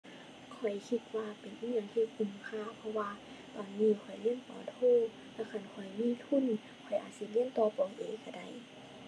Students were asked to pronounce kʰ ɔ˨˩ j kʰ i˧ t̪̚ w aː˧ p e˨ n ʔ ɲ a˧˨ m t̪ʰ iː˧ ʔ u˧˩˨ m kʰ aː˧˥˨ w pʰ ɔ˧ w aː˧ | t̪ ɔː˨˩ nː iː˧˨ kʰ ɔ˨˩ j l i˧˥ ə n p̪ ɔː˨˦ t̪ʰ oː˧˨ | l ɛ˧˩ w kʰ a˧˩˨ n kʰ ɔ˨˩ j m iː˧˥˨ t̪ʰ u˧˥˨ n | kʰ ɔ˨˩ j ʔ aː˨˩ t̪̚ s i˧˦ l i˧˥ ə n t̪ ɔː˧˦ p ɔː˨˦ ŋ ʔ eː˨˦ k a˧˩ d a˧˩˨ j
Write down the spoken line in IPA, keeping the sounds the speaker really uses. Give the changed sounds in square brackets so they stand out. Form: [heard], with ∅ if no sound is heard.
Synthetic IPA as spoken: kʰ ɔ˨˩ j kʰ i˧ t̪̚ w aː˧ p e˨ n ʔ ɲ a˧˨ [ŋ] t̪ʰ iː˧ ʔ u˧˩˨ m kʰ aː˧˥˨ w pʰ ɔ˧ w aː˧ | t̪ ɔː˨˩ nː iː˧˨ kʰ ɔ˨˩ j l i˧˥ ə n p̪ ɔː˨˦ t̪ʰ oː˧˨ | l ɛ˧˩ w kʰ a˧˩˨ n kʰ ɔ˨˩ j m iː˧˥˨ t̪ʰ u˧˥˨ n | kʰ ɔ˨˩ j ʔ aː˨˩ t̪̚ s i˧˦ l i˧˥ ə n t̪ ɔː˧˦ p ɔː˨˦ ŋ ʔ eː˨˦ k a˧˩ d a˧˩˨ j

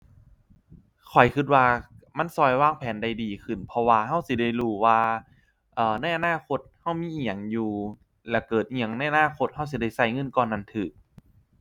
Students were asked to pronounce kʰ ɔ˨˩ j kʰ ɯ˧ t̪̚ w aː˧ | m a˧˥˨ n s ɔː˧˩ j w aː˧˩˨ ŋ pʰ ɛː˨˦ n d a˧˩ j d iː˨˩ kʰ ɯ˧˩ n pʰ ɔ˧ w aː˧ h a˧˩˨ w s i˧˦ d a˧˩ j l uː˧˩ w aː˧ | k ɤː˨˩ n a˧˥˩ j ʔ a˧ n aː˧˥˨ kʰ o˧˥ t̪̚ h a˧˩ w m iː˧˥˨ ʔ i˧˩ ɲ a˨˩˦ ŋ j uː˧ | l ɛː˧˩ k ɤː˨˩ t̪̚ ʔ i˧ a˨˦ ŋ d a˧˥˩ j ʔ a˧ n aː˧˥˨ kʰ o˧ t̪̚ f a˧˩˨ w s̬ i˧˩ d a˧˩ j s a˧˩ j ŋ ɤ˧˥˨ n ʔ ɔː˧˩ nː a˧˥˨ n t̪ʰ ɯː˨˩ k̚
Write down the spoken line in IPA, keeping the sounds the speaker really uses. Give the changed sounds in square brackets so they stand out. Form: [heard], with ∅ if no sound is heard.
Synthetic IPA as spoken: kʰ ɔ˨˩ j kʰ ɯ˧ t̪̚ w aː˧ | m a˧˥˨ n s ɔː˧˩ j w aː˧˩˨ ŋ pʰ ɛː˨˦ n d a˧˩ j d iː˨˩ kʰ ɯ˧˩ n pʰ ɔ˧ w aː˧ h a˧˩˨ w s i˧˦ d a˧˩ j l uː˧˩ w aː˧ | [ʔ] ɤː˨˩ n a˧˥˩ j ʔ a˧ n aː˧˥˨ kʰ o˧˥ t̪̚ h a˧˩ w m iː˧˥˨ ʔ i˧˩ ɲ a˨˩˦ ŋ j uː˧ | l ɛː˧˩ k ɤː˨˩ t̪̚ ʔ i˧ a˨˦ ŋ [n] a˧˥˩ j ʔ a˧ n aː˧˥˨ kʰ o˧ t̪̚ [h] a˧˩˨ w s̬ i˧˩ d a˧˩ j s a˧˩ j ŋ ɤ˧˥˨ n [k] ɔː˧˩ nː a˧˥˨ n t̪ʰ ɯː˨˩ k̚

